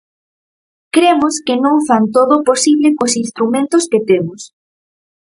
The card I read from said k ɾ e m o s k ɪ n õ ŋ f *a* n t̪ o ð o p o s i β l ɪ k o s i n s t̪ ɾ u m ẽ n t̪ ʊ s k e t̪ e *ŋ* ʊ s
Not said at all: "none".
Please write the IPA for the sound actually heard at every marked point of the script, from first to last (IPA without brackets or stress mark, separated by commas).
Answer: a, m